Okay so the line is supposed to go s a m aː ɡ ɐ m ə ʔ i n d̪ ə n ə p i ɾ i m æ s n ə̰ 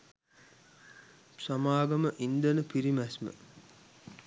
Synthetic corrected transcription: s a m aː ɡ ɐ m ə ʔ i n d̪ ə n ə p i ɾ i m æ s m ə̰